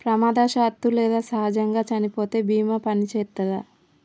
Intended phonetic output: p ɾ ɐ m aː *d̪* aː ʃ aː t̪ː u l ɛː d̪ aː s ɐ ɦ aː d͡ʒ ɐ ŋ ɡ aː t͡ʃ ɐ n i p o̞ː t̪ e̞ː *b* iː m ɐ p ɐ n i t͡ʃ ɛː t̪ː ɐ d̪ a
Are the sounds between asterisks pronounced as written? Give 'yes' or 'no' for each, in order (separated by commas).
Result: yes, yes